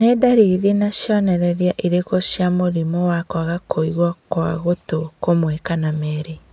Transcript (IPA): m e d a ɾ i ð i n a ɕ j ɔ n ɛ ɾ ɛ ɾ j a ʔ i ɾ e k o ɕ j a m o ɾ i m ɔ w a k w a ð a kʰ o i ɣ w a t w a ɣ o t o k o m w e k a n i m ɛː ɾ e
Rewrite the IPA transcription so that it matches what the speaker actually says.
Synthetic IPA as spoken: n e d a ɾ i ð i n a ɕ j ɔ n ɛ ɾ ɛ ɾ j a ʔ i ɾ e k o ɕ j a m o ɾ i m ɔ w a k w a ɣ a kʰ o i ɣ w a k w a ɣ o t o k o m w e k a n a m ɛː ɾ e